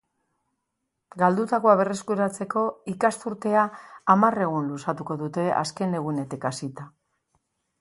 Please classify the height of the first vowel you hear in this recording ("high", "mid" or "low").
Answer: low